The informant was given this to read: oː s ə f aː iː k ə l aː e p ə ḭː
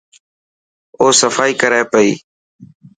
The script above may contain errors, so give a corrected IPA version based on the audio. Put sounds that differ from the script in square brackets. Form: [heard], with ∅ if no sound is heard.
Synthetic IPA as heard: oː s ə f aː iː k ə [ɾ] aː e p ə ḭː